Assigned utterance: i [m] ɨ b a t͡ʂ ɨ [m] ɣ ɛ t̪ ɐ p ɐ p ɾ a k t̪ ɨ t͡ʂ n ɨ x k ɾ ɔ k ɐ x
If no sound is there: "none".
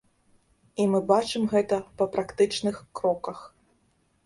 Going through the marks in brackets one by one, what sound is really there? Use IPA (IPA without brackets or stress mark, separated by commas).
m, m